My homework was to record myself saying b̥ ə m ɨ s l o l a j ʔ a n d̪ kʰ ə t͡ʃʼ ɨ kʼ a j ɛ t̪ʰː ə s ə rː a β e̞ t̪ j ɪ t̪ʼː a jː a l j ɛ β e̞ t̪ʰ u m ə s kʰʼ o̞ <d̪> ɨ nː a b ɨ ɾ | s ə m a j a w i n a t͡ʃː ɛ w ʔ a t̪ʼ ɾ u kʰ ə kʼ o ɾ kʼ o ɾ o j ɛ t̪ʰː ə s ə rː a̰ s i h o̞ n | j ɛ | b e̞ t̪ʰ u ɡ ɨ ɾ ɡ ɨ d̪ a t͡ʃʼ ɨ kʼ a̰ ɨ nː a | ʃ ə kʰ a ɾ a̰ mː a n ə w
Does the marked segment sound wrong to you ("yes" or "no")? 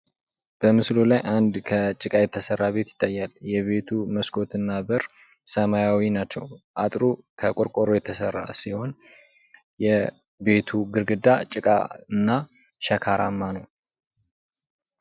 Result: yes